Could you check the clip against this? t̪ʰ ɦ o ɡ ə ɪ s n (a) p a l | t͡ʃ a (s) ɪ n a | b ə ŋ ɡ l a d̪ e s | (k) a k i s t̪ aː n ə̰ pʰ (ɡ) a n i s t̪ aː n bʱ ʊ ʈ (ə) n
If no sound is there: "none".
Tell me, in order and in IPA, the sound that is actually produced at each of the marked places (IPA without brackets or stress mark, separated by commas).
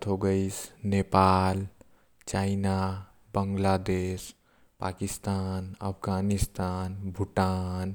e, none, p, ɡ, a